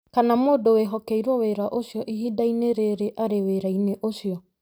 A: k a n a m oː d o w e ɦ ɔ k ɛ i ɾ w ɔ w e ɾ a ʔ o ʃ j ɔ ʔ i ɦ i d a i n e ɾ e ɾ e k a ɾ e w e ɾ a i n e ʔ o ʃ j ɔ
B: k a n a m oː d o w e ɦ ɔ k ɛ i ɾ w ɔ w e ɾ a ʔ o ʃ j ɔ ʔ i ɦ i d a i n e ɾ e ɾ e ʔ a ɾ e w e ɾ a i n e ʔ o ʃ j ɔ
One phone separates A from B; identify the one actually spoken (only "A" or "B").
B